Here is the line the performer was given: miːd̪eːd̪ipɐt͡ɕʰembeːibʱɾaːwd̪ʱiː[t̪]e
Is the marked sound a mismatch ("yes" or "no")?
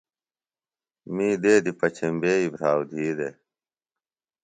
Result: yes